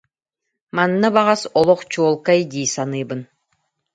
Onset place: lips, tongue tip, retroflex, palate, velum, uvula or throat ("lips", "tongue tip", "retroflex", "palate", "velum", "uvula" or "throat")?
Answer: lips